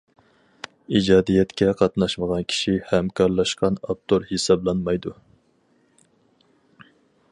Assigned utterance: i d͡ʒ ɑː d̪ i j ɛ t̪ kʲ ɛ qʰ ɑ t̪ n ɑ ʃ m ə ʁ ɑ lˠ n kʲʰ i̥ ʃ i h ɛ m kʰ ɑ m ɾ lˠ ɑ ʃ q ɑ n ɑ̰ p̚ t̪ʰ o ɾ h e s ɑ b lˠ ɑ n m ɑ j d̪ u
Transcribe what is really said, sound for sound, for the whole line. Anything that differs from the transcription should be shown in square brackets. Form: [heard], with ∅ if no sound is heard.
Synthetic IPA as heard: i d͡ʒ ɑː d̪ i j ɛ t̪ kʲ ɛ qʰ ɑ t̪ n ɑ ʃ m ə ʁ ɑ [∅] n kʲʰ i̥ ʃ i h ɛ m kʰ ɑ [∅] ɾ lˠ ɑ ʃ q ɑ n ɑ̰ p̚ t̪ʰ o ɾ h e s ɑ b lˠ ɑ n m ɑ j d̪ u